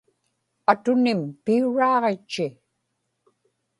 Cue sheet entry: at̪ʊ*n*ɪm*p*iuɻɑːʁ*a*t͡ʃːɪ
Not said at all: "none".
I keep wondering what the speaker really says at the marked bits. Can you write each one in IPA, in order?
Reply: n, p, e

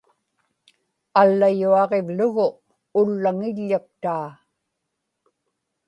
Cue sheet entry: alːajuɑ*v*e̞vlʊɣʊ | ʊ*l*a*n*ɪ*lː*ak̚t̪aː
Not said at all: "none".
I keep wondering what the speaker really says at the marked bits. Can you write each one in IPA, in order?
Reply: ʁ, lː, ŋ, ʎː

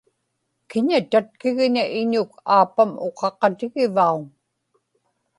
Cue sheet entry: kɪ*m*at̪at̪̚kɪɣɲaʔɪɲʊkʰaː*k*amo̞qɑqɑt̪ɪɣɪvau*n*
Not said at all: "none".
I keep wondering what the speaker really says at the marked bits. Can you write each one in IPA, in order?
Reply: ɲ, p, ŋ

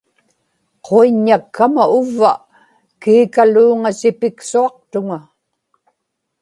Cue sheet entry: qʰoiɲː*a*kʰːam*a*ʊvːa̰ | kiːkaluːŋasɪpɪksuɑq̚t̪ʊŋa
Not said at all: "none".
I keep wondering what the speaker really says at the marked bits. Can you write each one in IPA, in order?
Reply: a, a

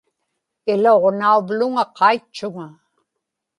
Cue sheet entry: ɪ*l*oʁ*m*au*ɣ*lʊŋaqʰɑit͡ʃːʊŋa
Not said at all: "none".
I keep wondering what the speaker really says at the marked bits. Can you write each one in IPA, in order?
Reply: l, n, v

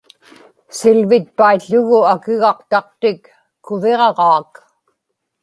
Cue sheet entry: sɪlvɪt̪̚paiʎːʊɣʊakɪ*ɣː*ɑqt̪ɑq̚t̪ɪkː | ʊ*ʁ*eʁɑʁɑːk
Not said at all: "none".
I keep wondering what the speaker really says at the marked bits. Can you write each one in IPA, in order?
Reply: ɣ, v

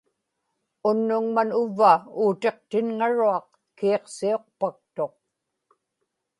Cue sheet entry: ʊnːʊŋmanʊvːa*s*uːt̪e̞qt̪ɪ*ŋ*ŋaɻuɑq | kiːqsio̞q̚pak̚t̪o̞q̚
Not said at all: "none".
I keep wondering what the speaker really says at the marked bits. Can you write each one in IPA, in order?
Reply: none, n

